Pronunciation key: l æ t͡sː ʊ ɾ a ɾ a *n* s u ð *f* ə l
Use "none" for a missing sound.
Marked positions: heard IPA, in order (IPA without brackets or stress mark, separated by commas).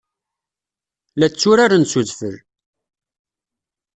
n, f